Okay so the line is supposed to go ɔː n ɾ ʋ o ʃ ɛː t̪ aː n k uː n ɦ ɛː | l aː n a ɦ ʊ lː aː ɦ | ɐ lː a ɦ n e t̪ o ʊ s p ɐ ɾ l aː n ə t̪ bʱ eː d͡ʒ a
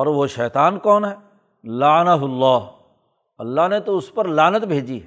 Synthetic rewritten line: ɔː ɾ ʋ o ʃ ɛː t̪ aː n k ɔː n ɦ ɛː | l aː n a ɦ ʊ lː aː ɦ | ɐ lː a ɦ n e t̪ o ʊ s p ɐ ɾ l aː n ə t̪ bʱ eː d͡ʒ i